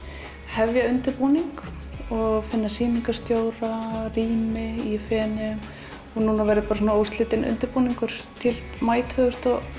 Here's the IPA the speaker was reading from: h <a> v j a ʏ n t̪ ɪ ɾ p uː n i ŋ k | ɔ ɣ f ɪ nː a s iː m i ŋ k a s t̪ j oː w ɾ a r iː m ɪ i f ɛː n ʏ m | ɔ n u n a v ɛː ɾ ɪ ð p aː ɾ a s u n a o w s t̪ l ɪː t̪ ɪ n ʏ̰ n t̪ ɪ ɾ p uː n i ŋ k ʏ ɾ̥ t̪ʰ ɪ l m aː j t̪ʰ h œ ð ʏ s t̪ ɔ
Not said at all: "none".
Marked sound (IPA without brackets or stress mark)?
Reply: ɛ